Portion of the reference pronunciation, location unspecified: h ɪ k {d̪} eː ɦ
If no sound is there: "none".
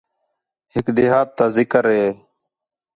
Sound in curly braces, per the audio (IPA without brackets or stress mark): d̪